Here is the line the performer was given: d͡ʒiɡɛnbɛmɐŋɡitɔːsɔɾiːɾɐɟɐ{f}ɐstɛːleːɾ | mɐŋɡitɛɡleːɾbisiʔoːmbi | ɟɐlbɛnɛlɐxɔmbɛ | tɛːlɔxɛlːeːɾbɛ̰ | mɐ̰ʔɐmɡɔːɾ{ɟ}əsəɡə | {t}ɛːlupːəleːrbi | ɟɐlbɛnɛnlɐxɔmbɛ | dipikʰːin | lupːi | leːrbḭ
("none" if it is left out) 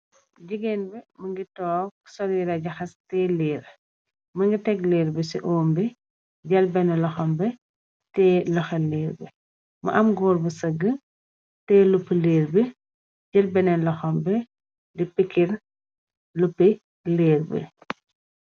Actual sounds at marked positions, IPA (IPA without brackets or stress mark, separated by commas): x, b, t